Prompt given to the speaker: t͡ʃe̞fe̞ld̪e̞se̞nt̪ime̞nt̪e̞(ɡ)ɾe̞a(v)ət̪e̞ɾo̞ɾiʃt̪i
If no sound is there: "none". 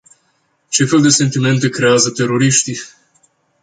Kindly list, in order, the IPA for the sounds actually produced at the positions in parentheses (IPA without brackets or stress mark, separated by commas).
k, z